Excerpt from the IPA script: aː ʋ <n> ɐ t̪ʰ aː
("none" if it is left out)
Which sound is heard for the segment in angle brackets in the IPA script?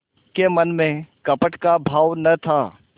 n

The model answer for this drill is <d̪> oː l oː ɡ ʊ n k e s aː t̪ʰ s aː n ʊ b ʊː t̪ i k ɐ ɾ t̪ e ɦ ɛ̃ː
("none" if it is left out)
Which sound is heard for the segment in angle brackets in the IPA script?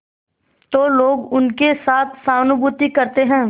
t̪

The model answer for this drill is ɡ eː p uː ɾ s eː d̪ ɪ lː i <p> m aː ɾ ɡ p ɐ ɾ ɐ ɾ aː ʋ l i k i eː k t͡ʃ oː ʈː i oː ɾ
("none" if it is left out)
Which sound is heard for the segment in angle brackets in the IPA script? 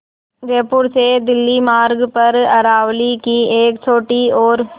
none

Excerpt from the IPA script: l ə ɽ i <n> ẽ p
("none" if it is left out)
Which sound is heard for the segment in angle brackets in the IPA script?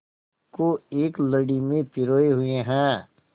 m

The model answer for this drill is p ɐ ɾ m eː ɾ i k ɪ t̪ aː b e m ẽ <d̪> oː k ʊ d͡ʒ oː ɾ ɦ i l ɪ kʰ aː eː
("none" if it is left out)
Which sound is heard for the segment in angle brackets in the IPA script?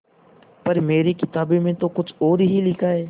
t̪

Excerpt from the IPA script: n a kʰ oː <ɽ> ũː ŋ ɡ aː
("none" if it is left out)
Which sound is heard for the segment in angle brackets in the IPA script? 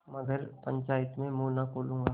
l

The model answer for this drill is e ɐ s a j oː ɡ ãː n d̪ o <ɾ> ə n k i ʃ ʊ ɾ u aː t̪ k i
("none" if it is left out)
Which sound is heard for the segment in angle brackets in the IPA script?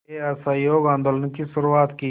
l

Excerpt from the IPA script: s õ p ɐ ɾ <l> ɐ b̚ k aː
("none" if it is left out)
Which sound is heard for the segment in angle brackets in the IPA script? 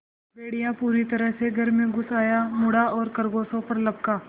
l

